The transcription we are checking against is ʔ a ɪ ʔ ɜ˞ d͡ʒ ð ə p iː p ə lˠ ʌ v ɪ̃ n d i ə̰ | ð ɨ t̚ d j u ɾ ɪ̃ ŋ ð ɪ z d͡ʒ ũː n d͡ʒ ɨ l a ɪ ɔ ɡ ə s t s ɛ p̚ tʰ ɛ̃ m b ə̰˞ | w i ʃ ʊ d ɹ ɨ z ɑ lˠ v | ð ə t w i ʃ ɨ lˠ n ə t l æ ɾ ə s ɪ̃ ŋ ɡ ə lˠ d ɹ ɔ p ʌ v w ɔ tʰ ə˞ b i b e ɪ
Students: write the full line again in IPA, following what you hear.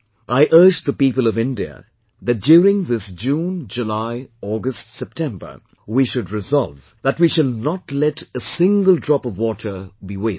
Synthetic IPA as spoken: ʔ a ɪ ʔ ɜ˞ d͡ʒ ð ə p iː p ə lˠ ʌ v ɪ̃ n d i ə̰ | ð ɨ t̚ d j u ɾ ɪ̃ ŋ ð ɪ s d͡ʒ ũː n d͡ʒ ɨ l a ɪ ɔ ɡ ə s t s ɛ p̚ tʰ ɛ̃ m b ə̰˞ | w i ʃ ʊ d ɹ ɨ z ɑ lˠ v | ð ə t w i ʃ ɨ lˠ n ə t l ɛ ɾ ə s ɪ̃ ŋ ɡ ə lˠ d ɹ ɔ p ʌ v w ɔ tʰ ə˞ b i w e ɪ